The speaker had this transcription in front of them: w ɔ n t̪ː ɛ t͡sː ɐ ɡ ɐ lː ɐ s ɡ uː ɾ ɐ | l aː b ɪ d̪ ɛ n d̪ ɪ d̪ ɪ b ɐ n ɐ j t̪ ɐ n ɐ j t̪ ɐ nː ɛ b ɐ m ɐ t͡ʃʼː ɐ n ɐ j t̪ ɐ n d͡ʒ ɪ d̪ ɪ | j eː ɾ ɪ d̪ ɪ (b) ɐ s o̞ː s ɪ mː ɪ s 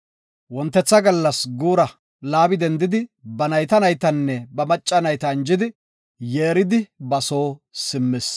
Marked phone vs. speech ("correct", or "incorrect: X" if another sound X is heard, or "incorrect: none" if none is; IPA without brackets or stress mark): correct